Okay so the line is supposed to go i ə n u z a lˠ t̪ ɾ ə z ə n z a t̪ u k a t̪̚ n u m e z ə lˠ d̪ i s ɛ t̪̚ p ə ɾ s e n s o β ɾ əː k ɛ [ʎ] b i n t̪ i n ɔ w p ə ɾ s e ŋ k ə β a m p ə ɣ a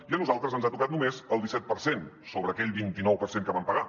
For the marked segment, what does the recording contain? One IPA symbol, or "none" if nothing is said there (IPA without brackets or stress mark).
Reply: ʎ